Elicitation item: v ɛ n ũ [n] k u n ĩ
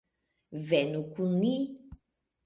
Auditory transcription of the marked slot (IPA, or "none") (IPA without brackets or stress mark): none